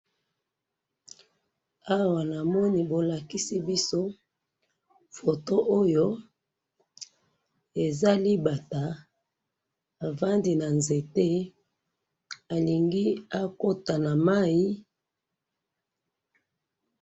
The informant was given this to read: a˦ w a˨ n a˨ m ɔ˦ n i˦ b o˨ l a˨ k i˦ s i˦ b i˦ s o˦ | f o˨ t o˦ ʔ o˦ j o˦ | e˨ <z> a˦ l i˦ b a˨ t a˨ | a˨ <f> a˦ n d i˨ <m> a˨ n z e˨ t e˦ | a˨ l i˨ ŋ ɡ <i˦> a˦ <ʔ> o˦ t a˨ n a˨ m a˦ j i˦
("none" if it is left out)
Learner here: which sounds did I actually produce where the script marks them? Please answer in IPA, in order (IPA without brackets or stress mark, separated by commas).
z, v, n, i˦, k